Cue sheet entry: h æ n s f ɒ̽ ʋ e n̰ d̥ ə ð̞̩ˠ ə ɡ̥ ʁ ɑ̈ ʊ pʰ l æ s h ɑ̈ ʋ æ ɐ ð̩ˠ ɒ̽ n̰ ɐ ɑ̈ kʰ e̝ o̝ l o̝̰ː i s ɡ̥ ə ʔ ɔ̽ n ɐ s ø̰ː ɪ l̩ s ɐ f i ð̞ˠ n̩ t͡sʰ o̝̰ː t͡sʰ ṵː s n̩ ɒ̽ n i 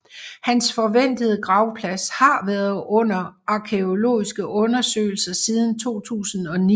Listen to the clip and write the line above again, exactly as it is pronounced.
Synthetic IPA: h æ n s f ɒ̽ ʋ e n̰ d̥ ə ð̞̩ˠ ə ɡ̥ ʁ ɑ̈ ʊ pʰ l æ s h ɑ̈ ʋ æ ɐ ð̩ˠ ɔ̽ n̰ ɐ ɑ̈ kʰ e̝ o̝ l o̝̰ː i s ɡ̥ ə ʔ ɔ̽ n ɐ s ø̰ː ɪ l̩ s ɐ s i ð̞ˠ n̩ t͡sʰ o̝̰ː t͡sʰ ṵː s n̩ ɒ̽ n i